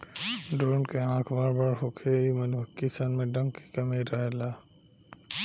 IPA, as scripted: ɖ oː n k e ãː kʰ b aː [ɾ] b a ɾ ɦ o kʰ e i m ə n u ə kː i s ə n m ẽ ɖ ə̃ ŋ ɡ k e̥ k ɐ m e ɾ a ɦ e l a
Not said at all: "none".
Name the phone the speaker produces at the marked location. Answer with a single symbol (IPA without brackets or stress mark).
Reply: ɾ